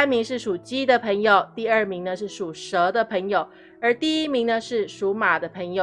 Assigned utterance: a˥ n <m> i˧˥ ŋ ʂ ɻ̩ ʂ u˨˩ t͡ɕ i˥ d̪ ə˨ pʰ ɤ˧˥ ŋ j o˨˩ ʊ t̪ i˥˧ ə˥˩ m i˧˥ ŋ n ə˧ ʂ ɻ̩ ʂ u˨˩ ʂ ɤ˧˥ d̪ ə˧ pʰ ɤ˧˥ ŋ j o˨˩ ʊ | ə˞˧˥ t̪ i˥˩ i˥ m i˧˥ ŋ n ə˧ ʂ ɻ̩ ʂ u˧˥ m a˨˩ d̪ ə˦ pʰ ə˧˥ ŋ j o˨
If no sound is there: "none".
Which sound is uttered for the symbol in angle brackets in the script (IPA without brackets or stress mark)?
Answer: m